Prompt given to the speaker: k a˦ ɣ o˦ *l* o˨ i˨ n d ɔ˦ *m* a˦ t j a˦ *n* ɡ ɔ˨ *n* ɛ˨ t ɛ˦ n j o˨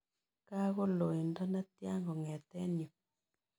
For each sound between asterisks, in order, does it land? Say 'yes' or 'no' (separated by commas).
yes, no, no, no